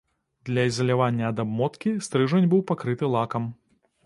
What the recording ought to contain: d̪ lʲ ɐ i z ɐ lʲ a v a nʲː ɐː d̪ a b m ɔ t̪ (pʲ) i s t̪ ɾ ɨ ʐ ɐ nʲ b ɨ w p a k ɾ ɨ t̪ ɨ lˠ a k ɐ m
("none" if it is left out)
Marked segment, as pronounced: kʲ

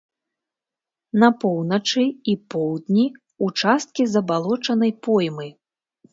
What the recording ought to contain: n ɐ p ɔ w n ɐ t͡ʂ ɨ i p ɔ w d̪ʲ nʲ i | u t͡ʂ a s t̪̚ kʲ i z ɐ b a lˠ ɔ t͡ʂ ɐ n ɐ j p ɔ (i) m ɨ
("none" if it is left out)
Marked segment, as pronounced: j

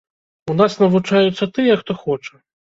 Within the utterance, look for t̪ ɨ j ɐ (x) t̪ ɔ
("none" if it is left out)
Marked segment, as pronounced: x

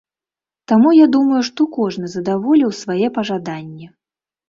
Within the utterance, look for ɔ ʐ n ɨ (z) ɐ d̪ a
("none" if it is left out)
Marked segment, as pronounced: z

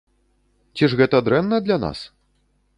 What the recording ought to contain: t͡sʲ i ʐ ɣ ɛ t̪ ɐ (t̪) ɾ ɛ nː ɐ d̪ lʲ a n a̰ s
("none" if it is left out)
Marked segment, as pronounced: d̪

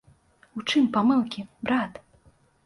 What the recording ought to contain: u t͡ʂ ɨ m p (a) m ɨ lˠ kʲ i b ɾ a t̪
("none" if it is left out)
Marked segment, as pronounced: a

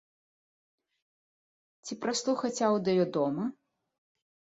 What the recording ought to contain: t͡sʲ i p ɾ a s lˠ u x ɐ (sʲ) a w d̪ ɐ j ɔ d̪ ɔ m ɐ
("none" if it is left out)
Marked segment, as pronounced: t͡sʲ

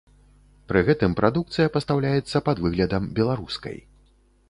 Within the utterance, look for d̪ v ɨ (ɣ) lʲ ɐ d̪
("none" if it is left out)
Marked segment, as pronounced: ɣ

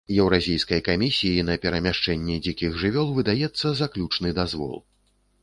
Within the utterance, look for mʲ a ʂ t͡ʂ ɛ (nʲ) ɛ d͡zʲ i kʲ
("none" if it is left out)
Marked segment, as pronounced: nʲː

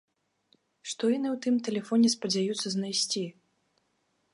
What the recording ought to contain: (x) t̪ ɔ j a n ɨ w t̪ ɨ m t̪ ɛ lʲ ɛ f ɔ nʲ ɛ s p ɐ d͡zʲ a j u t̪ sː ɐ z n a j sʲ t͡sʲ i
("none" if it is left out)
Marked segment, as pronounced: ʂ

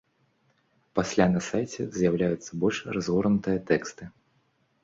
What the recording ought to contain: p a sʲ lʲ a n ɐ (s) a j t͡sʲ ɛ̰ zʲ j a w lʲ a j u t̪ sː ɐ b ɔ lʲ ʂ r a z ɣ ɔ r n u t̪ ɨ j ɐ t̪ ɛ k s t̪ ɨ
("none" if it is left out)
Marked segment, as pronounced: s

